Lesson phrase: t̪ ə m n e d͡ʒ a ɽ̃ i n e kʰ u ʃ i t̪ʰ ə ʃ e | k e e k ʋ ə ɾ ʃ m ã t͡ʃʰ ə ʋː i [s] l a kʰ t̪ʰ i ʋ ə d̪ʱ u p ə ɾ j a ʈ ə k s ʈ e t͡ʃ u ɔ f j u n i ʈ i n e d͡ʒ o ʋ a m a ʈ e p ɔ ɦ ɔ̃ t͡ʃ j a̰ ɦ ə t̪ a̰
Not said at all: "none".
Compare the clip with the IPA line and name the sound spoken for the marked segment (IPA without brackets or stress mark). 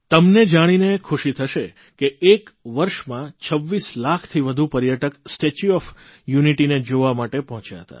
s